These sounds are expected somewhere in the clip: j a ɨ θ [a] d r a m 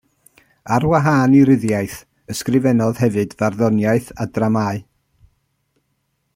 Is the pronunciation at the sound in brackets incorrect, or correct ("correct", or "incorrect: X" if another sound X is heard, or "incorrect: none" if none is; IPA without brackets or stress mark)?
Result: correct